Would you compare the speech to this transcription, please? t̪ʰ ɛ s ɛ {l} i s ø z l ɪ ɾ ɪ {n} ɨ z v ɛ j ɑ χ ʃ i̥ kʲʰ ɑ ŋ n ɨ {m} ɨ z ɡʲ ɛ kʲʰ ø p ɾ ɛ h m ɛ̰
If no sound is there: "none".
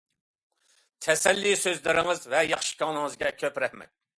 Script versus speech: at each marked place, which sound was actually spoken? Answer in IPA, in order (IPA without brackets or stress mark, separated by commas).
lː, ŋ, ŋ